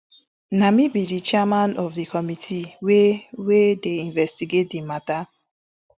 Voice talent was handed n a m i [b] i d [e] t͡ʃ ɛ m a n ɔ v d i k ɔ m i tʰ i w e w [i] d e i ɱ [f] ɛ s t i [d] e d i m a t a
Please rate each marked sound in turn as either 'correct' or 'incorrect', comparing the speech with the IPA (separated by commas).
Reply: correct, incorrect, incorrect, incorrect, incorrect